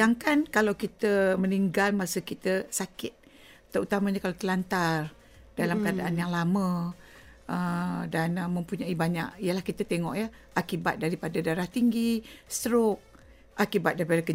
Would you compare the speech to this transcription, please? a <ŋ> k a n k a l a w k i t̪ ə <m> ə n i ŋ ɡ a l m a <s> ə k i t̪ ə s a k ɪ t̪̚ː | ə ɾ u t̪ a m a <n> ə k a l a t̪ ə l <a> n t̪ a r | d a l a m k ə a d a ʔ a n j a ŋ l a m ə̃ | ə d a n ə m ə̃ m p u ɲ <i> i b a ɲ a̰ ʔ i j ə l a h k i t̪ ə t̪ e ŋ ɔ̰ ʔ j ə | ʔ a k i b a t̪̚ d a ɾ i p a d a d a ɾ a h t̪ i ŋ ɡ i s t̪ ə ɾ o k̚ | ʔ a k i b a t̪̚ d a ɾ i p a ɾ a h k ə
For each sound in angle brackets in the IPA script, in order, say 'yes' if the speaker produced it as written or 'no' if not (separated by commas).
yes, yes, yes, no, yes, no